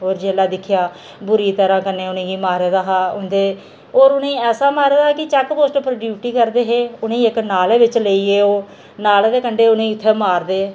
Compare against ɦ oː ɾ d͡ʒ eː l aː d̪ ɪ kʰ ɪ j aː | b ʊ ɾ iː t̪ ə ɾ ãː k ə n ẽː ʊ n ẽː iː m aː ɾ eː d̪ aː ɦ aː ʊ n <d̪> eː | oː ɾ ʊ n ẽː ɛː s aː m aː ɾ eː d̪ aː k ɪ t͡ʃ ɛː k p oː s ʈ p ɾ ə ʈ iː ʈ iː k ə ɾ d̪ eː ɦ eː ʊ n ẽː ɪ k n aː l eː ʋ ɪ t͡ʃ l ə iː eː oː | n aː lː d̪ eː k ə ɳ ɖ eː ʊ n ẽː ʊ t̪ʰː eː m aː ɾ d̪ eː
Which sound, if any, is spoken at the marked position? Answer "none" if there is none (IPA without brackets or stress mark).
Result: d̪